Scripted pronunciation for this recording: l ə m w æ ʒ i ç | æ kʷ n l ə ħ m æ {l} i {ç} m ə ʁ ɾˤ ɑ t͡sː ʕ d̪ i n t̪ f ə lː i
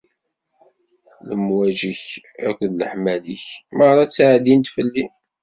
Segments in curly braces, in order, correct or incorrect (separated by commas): correct, correct